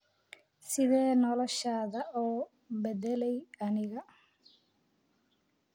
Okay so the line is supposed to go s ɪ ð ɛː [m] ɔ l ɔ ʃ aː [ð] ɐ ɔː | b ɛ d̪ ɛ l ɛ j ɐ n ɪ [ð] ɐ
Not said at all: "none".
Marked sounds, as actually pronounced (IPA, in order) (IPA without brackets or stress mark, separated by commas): n, ð, ɣ